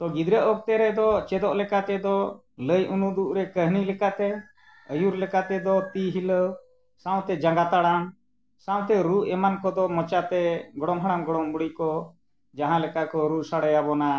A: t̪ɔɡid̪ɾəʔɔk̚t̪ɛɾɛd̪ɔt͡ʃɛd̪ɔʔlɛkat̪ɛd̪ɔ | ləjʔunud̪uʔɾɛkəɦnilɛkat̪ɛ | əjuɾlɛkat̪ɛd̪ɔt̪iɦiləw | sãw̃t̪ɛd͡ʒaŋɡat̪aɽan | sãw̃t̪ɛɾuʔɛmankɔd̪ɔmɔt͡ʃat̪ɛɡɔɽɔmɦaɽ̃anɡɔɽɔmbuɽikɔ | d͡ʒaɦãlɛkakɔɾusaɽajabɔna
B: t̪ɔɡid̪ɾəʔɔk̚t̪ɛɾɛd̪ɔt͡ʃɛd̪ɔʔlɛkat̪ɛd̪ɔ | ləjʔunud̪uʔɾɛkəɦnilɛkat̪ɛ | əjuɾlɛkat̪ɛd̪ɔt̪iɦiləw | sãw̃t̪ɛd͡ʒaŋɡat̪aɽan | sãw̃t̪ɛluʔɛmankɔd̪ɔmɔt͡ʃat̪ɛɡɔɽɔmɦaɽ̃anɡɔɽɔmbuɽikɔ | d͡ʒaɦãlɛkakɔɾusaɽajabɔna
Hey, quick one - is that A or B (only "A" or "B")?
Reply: A